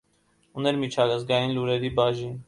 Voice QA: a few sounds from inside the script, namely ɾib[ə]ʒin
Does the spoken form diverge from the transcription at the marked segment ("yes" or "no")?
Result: yes